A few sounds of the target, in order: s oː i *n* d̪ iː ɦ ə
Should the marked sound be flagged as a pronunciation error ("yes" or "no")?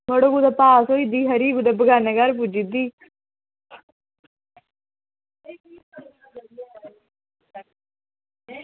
yes